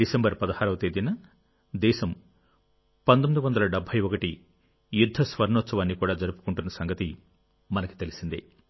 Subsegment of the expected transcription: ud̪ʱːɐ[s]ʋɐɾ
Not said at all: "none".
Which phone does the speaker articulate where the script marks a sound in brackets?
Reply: s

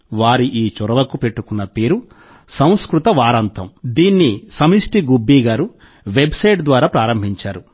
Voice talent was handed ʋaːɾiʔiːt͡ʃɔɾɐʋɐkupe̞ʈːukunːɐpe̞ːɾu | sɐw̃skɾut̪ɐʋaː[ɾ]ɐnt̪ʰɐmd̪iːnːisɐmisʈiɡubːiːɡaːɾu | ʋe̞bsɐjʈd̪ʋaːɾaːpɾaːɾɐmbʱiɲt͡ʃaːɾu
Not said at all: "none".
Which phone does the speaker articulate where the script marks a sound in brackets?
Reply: ɾ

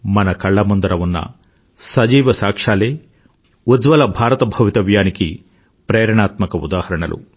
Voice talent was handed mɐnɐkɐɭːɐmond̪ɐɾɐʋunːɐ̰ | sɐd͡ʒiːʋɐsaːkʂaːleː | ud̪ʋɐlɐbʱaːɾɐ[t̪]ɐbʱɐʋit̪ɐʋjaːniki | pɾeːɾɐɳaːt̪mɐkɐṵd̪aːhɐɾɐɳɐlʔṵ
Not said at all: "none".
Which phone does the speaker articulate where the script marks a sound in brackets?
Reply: t̪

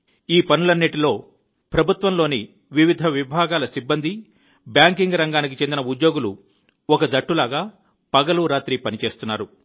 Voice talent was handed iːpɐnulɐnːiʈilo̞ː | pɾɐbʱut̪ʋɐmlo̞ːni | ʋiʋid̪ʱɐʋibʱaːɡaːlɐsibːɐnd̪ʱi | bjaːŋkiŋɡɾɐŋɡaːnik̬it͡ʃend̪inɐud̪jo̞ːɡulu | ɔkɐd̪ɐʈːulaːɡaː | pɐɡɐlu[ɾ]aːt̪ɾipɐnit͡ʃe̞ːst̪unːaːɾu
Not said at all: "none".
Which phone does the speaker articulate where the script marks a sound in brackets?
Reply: ɾ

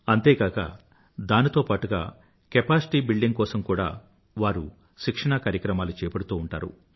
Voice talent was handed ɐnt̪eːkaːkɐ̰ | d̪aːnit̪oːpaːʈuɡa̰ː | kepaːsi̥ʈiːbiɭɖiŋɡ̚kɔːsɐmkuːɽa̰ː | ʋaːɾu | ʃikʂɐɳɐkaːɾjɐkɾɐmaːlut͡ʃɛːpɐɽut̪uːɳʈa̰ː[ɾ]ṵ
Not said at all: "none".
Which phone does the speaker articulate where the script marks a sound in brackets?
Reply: ɾ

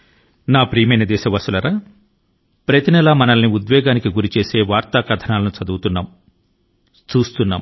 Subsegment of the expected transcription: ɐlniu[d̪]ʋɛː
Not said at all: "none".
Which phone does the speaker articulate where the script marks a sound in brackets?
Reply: d̪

